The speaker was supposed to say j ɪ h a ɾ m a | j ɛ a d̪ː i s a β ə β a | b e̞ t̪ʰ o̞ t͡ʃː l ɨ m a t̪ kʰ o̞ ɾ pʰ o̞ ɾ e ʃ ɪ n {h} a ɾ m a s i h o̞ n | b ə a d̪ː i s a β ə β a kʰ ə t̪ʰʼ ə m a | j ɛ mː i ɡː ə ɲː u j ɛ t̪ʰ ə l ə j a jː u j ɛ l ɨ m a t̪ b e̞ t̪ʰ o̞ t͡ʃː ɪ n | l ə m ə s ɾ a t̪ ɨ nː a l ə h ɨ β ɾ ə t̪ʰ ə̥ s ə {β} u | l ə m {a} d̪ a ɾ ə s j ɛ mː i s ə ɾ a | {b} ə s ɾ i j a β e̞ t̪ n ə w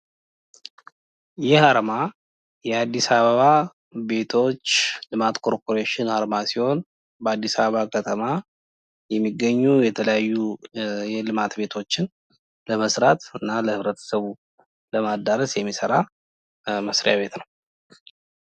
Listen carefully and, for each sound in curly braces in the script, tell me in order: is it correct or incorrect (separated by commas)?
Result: correct, correct, correct, incorrect